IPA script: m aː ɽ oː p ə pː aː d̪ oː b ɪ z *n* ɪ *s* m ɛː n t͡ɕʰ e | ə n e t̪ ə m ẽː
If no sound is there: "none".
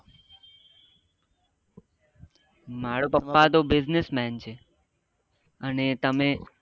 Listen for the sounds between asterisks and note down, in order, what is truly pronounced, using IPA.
n, s

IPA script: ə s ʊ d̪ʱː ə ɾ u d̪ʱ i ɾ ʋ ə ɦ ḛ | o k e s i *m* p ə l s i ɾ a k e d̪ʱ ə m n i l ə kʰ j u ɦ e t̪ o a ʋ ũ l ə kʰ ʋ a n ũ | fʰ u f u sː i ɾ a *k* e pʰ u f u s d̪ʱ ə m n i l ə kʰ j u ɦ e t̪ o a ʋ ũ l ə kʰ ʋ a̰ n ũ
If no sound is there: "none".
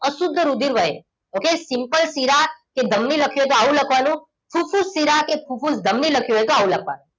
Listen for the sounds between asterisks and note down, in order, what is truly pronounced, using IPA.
m, k

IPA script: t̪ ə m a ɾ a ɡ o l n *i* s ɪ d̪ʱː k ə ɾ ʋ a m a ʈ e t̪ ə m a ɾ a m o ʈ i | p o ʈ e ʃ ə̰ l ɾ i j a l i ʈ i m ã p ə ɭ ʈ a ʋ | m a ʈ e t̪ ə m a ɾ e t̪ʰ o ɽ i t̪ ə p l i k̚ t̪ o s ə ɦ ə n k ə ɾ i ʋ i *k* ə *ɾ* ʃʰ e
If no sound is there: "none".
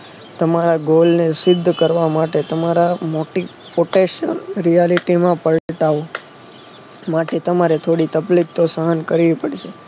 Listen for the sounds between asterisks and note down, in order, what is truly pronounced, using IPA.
e, p, ɽ

